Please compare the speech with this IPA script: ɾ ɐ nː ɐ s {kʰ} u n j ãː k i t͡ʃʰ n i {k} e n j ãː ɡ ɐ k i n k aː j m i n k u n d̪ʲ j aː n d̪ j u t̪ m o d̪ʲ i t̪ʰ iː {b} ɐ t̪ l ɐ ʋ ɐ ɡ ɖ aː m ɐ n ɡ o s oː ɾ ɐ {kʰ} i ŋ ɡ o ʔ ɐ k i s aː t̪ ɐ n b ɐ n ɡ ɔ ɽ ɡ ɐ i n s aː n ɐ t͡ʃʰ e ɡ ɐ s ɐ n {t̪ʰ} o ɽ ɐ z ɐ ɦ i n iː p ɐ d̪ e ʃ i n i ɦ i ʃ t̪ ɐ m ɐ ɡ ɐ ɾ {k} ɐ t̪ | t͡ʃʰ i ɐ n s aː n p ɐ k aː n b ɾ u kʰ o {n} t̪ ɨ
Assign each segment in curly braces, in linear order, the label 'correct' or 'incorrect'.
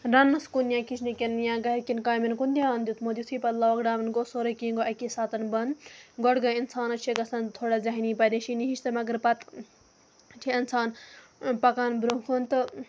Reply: incorrect: k, correct, incorrect: p, incorrect: k, correct, incorrect: p, correct

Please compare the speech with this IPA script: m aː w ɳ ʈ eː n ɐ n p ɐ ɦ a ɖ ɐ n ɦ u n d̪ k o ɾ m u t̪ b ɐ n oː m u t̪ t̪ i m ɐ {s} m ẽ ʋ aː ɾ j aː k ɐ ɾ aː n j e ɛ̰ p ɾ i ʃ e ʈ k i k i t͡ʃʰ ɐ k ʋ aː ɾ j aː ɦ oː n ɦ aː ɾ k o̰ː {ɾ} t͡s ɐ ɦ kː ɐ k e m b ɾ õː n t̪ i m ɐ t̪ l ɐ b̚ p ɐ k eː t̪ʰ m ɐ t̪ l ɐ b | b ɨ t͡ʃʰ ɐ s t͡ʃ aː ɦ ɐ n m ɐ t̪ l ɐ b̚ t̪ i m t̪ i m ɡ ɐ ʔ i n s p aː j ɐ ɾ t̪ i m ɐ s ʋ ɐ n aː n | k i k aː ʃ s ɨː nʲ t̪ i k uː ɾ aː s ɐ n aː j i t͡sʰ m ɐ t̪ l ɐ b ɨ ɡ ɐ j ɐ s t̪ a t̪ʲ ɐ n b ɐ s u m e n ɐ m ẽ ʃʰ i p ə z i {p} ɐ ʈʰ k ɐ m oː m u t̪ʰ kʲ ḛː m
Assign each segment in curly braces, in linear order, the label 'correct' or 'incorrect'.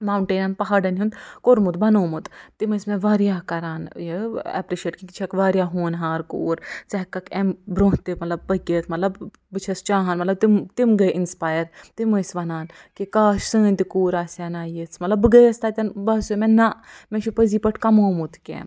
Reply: correct, correct, correct

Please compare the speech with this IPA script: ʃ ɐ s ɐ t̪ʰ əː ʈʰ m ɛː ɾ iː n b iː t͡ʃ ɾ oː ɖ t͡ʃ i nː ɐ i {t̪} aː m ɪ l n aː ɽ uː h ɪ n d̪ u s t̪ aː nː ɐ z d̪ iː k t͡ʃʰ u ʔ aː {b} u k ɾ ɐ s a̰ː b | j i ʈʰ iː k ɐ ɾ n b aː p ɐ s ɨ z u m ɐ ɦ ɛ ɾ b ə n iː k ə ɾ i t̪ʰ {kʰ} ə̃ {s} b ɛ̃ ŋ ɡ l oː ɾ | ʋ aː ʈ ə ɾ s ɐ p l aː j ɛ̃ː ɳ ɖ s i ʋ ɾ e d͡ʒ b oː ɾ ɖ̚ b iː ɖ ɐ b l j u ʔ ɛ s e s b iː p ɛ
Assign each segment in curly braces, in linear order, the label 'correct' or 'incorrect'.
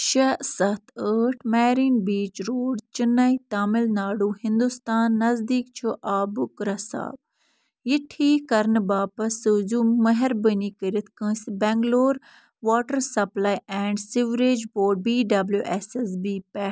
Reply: correct, correct, incorrect: k, correct

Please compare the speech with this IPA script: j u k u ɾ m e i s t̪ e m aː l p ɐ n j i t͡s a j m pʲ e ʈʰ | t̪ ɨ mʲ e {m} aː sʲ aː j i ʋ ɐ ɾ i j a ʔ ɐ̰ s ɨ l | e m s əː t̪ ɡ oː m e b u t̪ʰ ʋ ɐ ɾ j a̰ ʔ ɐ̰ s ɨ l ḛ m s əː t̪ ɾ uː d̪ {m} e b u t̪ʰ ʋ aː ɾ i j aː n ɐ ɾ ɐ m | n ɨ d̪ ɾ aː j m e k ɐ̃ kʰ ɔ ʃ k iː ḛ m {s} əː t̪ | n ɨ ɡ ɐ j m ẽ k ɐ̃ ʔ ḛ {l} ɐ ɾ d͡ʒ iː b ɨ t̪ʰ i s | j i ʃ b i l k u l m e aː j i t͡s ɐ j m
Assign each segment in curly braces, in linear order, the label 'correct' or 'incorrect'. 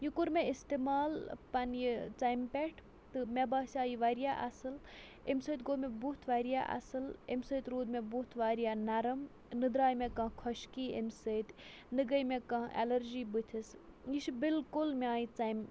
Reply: incorrect: b, correct, correct, correct

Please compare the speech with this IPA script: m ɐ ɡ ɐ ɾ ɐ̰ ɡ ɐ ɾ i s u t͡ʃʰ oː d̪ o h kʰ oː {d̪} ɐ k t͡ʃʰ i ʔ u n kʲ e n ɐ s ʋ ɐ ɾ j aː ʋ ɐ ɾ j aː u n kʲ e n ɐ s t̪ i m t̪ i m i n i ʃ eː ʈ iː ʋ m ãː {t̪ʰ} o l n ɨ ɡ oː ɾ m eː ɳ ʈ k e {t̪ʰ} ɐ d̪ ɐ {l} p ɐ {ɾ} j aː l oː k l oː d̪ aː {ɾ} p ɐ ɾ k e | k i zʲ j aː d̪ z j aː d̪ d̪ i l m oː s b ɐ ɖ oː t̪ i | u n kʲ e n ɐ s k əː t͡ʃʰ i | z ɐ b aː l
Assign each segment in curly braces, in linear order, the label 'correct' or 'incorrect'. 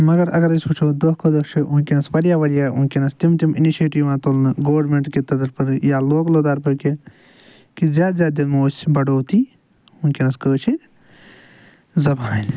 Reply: correct, incorrect: t̪, incorrect: t̪, incorrect: ɾ, correct, correct

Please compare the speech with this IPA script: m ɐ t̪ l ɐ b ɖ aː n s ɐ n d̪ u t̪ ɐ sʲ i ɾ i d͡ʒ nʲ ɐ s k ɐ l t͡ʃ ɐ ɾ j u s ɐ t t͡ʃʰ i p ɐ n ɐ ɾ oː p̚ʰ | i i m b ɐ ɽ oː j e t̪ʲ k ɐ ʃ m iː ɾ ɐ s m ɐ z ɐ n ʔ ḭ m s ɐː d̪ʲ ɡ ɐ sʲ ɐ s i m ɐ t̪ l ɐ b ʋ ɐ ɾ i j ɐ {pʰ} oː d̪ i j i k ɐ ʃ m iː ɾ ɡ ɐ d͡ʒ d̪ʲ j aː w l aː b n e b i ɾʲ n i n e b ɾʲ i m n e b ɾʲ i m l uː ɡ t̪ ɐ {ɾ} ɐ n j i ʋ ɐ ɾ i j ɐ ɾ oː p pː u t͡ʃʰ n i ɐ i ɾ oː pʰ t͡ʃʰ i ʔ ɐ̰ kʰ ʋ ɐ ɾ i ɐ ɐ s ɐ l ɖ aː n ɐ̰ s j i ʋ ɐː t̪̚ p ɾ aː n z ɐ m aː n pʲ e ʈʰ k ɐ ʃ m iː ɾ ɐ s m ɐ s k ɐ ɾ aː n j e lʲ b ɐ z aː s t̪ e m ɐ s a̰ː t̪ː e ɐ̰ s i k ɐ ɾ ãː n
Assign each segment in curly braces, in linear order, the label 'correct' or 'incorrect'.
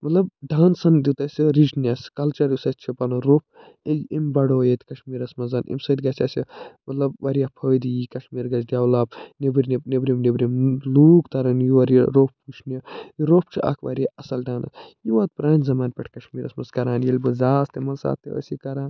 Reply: correct, correct

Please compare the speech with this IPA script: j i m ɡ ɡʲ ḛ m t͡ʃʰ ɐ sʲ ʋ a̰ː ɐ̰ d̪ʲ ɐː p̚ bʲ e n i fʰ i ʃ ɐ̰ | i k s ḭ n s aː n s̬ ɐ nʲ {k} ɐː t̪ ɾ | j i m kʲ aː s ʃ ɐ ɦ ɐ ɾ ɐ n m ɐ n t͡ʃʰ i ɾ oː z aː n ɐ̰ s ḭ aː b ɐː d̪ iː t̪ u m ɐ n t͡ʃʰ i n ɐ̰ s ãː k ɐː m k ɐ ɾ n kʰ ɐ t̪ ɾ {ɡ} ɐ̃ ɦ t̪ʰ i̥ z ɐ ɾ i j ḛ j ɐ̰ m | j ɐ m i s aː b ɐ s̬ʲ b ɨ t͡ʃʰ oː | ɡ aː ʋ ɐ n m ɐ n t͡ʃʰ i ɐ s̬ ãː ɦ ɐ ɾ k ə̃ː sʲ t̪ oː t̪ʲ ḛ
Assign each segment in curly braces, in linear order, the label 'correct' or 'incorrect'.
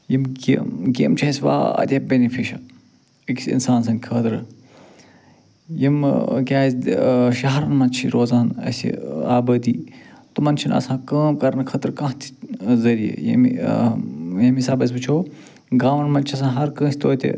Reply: incorrect: kʰ, incorrect: k

